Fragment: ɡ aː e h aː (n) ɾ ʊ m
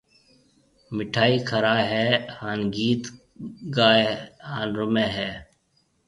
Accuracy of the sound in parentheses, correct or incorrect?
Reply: correct